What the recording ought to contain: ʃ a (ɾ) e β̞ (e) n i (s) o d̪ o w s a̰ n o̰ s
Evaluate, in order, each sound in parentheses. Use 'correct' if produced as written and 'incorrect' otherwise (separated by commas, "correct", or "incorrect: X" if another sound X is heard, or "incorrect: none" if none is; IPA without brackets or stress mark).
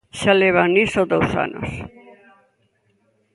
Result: incorrect: l, incorrect: a, correct